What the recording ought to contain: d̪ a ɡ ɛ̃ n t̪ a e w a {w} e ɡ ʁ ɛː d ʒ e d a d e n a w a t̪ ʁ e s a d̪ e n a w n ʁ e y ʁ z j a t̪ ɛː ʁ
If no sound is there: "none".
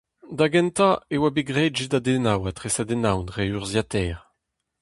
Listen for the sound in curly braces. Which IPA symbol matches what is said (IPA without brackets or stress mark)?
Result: b